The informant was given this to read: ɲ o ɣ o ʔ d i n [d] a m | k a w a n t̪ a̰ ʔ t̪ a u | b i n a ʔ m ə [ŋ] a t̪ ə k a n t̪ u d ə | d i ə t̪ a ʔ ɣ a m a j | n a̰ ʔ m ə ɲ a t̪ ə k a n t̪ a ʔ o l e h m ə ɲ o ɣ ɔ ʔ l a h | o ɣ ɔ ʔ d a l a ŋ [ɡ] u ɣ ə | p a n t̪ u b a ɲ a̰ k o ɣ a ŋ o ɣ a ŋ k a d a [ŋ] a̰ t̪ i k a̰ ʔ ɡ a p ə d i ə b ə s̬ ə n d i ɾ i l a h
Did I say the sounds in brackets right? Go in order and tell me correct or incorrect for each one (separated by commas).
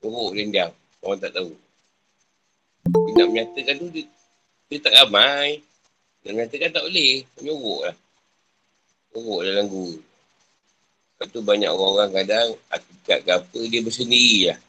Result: correct, incorrect, correct, correct